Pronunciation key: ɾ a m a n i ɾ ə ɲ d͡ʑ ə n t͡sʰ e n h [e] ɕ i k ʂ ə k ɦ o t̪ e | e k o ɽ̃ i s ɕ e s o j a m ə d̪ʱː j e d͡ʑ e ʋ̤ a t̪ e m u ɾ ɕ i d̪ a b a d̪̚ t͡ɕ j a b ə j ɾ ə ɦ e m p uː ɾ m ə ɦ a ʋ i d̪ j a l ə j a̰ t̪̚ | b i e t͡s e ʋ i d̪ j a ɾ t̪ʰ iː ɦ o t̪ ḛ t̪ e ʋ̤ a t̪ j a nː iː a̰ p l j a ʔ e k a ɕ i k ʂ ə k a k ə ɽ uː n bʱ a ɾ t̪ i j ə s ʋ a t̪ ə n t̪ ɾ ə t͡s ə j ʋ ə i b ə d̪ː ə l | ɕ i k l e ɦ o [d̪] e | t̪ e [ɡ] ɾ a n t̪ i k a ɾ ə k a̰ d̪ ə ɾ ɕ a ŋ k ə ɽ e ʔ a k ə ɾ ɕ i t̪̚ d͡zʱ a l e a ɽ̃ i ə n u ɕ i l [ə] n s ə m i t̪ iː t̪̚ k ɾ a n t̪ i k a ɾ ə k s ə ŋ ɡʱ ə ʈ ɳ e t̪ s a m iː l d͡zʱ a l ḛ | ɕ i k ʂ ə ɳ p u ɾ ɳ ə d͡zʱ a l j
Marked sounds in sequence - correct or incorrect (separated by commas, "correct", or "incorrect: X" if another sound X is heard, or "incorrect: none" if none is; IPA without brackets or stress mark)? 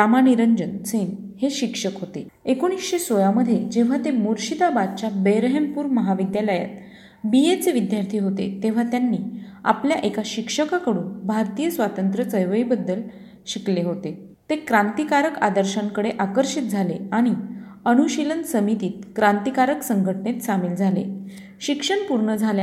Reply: correct, incorrect: t̪, incorrect: k, correct